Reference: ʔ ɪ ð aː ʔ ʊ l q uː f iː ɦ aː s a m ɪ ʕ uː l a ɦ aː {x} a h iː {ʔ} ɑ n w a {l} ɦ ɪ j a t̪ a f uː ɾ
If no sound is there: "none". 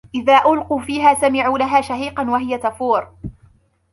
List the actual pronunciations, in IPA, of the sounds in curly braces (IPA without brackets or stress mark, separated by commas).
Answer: ʃ, q, none